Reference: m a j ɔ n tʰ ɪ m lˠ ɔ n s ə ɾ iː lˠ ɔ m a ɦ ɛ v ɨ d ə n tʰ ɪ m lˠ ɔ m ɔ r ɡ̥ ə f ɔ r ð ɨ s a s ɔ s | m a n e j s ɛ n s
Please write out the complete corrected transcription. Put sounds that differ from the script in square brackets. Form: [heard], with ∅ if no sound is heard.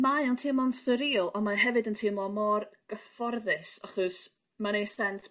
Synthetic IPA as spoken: m a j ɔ n tʰ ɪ m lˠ ɔ n s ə ɾ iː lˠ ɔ m a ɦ ɛ v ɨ d ə n tʰ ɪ m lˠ ɔ m ɔ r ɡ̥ ə f ɔ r ð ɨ s a [χ] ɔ s | m a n e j s ɛ n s